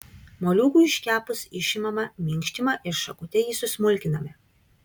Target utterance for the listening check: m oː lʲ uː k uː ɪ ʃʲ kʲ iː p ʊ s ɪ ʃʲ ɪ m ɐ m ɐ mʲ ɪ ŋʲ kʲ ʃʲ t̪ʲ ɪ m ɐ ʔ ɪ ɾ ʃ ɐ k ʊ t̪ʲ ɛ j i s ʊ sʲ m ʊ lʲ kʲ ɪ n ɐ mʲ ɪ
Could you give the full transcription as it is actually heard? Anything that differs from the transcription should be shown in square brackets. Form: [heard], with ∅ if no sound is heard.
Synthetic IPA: m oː lʲ uː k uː ɪ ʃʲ kʲ [æː] p ʊ s ɪ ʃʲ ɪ m ɐ m ɐ mʲ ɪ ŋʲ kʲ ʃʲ t̪ʲ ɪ m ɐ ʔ ɪ ɾ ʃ ɐ k ʊ t̪ʲ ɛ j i s ʊ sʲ m ʊ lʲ kʲ ɪ n ɐ mʲ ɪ